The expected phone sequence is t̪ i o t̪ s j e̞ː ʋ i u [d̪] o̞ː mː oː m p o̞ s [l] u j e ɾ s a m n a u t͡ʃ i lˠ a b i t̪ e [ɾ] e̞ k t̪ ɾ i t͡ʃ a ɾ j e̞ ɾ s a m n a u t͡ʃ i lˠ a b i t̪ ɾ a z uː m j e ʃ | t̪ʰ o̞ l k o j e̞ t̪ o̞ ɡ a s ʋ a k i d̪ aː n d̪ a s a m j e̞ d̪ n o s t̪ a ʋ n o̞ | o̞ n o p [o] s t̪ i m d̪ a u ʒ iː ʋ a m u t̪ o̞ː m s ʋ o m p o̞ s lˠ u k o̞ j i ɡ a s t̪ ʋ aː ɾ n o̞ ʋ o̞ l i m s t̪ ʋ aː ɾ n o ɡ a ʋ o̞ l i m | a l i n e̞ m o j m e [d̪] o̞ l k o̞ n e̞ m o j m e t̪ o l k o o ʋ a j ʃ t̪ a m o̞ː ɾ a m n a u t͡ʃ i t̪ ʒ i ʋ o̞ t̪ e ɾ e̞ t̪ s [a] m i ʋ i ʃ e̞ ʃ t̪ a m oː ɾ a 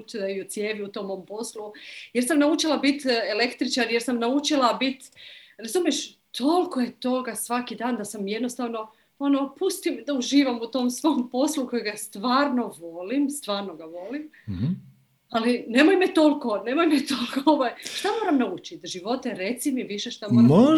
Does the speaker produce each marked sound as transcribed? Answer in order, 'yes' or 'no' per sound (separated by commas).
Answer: no, yes, no, no, no, no